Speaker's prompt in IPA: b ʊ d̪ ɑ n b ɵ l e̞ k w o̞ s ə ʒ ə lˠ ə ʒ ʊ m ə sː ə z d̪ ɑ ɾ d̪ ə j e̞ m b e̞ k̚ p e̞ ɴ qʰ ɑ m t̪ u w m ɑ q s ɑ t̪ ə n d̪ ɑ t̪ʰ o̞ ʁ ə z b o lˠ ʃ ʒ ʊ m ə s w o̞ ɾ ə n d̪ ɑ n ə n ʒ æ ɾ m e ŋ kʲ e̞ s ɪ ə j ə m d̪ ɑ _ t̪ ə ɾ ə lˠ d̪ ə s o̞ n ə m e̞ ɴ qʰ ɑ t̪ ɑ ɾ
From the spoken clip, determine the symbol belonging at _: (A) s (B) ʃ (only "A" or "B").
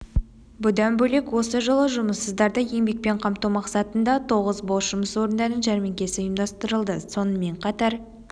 A